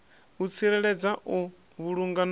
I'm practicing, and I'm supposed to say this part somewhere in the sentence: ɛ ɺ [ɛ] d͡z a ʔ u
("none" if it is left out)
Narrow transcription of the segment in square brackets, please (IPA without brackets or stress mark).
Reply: ɛ